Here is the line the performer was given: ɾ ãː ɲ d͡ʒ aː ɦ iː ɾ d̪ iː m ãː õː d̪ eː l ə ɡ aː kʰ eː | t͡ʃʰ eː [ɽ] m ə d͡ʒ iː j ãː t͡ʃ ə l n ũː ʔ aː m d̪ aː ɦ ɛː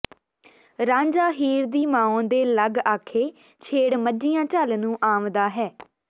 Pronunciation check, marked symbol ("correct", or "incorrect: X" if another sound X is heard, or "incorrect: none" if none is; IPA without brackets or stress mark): correct